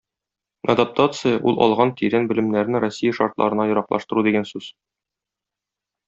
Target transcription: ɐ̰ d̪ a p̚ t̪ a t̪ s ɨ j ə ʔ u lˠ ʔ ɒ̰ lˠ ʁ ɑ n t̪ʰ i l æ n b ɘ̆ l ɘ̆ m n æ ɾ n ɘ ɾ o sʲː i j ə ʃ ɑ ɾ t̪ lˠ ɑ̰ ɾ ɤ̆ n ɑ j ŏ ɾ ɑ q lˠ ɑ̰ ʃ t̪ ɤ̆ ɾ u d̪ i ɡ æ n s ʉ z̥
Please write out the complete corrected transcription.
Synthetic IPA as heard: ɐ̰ d̪ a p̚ t̪ a t̪ s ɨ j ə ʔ u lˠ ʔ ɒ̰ lˠ ʁ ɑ n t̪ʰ i ɾ æ n b ɘ̆ l ɘ̆ m n æ ɾ n ɘ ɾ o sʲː i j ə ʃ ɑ ɾ t̪ lˠ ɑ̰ ɾ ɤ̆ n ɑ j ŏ ɾ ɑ q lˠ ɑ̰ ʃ t̪ ɤ̆ ɾ u d̪ i ɡ æ n s ʉ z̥